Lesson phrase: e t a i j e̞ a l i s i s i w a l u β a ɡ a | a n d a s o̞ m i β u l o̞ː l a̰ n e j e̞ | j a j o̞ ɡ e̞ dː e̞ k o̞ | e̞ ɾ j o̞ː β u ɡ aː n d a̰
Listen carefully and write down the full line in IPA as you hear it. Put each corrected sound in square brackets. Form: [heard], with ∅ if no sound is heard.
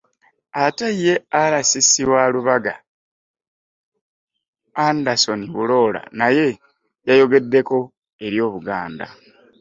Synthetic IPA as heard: [a] t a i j e̞ a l [a] s i s i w a l u β a ɡ a | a n d a s o̞ [n] i β u l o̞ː l a̰ n [a] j e̞ | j a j o̞ ɡ e̞ dː e̞ k o̞ | e̞ ɾ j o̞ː β u ɡ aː n d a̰